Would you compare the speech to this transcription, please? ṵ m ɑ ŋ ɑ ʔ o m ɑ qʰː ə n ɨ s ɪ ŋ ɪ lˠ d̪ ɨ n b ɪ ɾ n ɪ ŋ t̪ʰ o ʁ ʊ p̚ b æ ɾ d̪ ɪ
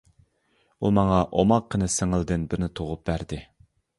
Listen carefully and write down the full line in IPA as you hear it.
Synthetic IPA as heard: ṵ m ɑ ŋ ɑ ʔ o m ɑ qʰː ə n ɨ s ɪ ŋ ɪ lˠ d̪ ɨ n b ɪ ɾ n ɪ t̪ʰ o ʁ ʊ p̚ b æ ɾ d̪ ɪ